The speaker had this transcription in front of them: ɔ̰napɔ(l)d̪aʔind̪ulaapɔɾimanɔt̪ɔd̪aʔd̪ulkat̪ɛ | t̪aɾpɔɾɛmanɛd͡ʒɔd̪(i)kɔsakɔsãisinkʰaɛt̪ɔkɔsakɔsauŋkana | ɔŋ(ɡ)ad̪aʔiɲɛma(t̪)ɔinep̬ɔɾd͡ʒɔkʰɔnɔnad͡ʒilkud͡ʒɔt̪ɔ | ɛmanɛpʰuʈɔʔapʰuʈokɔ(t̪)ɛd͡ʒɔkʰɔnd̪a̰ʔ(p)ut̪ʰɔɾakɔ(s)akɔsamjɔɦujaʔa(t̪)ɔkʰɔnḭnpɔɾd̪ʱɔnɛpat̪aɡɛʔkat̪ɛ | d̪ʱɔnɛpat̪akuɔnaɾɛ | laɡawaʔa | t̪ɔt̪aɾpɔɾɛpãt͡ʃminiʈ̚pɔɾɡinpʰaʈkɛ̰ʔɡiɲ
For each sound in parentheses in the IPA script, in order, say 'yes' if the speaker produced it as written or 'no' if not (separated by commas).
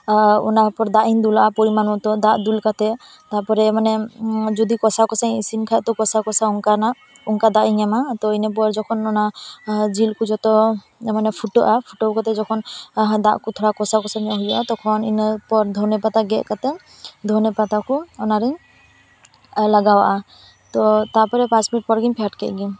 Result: no, yes, no, yes, yes, no, yes, yes